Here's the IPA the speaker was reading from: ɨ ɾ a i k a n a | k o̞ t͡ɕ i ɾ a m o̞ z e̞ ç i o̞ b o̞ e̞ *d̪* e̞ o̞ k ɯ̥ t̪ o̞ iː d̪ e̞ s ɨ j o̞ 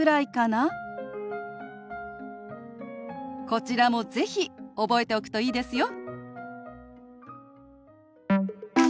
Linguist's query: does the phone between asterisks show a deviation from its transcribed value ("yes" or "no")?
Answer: yes